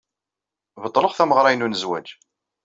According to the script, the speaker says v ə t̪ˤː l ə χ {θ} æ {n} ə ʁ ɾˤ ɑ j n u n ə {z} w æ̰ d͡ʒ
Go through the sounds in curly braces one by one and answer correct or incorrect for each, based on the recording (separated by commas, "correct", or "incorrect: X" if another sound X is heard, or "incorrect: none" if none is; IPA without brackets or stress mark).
correct, incorrect: m, correct